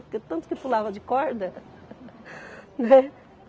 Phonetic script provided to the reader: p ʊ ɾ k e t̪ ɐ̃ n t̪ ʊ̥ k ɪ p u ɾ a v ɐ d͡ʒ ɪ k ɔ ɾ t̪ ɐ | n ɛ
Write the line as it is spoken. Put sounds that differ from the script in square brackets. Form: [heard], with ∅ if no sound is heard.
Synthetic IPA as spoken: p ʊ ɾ k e t̪ ɐ̃ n t̪ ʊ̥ k ɪ p u [l] a v ɐ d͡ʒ ɪ k ɔ ɾ [d̪] ɐ | n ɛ